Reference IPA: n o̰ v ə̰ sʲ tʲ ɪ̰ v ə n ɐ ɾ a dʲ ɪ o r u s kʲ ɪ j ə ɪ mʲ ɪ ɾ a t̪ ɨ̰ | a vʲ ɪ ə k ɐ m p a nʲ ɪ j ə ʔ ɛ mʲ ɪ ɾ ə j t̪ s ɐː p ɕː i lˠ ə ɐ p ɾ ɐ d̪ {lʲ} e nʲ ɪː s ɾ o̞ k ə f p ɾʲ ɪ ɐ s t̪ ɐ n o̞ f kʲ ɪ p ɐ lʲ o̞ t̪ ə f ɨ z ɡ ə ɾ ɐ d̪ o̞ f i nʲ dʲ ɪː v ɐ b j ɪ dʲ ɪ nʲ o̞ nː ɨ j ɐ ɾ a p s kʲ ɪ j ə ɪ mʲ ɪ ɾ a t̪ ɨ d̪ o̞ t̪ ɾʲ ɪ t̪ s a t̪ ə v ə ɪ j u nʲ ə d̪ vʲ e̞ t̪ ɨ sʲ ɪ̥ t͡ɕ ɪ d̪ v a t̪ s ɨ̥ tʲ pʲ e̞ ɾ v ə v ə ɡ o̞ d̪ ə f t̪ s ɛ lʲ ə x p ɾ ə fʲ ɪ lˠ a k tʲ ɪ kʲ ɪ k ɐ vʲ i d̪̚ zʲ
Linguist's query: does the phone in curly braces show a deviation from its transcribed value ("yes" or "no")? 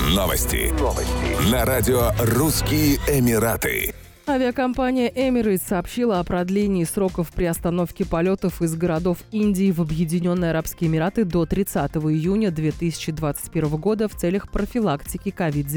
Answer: no